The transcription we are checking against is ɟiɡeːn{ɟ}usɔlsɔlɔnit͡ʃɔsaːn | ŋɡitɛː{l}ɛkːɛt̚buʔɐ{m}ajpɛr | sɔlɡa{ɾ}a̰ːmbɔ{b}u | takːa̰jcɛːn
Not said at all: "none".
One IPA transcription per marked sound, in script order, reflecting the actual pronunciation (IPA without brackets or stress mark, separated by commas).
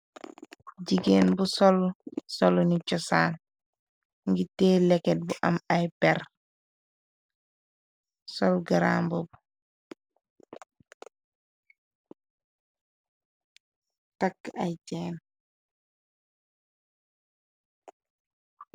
b, l, m, ɾ, b